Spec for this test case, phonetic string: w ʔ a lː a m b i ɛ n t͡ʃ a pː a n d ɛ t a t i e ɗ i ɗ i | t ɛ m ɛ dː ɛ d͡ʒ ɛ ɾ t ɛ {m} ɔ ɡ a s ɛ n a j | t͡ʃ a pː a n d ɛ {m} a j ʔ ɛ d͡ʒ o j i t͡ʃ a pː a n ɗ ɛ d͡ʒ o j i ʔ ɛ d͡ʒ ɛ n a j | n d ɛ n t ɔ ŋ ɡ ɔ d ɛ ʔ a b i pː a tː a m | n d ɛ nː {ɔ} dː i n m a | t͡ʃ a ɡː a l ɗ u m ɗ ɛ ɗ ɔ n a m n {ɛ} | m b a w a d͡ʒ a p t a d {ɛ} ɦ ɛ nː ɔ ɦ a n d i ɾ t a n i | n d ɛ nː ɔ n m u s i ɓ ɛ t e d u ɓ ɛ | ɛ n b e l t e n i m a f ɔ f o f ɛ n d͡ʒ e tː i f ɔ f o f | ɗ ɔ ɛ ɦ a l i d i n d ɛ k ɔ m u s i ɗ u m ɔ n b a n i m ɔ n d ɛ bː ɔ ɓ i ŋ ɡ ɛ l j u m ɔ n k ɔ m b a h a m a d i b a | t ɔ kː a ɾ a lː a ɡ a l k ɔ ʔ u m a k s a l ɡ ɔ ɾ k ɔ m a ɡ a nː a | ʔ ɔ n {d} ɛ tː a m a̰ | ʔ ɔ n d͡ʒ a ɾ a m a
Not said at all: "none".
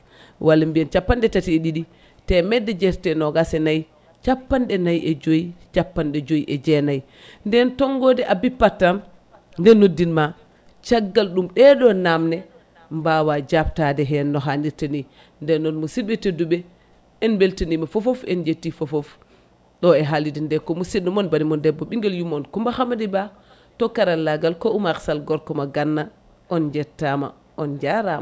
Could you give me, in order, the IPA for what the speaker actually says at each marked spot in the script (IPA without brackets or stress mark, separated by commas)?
n, n, o, ɛ, ɛ, d͡ʒ